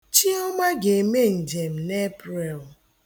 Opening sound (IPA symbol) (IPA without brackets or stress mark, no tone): t͡ʃ